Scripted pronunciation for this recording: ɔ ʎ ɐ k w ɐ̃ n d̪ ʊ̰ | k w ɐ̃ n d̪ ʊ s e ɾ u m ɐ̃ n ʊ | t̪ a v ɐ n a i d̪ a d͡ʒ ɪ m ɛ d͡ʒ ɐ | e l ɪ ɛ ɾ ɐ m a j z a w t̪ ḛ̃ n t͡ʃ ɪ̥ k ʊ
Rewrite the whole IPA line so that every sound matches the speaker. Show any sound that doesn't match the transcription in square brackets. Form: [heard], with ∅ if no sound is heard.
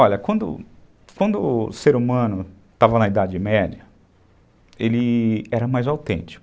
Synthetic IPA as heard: ɔ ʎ ɐ k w ɐ̃ n d̪ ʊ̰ | k w ɐ̃ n d̪ ʊ s e ɾ u m ɐ̃ n ʊ | t̪ a v ɐ n [ɐ] i d̪ a d͡ʒ ɪ m ɛ d͡ʒ ɐ | e l ɪ ɛ ɾ ɐ m a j z a w t̪ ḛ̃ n t͡ʃ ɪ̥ k ʊ